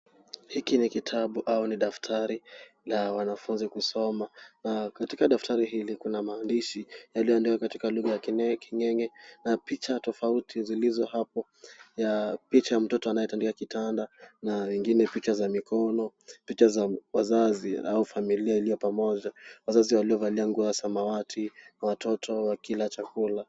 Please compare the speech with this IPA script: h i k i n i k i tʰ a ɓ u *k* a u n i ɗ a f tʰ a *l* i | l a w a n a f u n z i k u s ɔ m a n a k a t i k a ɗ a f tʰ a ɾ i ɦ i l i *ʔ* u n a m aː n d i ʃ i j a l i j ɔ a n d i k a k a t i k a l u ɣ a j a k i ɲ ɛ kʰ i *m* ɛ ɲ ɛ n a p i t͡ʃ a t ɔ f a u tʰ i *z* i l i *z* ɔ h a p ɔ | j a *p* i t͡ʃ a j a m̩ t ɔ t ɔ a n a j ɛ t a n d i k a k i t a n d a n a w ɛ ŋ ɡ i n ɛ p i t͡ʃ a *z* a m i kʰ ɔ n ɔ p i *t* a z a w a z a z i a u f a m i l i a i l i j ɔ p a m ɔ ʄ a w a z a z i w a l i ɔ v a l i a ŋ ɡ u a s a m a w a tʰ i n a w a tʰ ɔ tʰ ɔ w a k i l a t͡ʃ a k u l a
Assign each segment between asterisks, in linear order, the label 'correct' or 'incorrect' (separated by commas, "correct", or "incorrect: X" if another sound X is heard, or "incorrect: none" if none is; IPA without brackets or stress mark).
incorrect: ʔ, incorrect: ɾ, incorrect: k, incorrect: ɲ, correct, correct, correct, correct, incorrect: t͡ʃ